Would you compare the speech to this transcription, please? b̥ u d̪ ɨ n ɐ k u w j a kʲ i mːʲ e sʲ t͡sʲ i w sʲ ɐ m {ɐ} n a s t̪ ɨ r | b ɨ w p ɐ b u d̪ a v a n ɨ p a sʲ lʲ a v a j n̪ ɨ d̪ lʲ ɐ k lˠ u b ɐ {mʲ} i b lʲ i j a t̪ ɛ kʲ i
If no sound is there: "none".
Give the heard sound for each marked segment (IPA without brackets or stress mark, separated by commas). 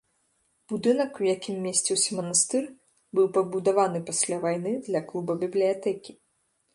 ɐ, bʲ